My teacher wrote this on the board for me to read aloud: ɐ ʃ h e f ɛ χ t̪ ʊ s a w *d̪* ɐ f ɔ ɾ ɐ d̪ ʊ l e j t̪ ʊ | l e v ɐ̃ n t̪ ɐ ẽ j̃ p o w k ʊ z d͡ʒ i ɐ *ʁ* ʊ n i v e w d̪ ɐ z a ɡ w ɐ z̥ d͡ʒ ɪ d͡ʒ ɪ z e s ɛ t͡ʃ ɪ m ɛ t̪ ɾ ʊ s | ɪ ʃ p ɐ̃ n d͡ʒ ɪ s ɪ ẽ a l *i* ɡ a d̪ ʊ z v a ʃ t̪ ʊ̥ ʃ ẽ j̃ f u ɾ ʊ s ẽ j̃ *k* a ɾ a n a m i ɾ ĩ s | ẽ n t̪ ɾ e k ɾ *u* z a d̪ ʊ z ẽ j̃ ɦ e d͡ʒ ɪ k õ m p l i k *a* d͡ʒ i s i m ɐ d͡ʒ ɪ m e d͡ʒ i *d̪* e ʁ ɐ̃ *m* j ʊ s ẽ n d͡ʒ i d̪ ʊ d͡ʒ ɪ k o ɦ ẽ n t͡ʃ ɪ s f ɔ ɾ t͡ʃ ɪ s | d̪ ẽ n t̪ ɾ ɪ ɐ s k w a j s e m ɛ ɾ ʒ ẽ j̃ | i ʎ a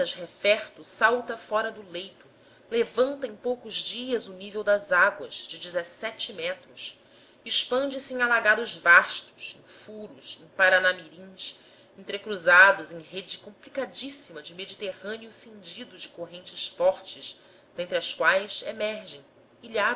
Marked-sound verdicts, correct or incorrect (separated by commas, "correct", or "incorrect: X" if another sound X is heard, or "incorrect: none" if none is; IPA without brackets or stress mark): incorrect: t̪, incorrect: z, incorrect: a, incorrect: p, correct, correct, incorrect: t̪, incorrect: n